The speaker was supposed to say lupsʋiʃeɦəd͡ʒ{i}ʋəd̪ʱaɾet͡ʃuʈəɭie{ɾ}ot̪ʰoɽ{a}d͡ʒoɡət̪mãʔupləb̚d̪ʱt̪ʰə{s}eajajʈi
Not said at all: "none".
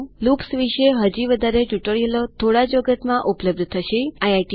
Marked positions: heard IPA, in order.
i, l, a, ʃ

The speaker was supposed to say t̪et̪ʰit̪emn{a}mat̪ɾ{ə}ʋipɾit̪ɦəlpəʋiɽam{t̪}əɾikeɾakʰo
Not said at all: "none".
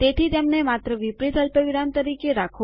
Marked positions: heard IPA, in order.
e, ə, t̪

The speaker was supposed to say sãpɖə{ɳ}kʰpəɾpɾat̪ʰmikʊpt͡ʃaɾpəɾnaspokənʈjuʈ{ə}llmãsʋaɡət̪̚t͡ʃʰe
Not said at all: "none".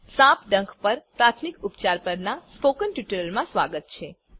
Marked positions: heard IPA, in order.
ŋ, ə

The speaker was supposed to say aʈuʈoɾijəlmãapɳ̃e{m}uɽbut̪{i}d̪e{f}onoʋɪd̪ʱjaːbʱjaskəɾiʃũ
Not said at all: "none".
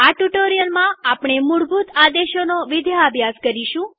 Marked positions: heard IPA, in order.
m, a, ʃ

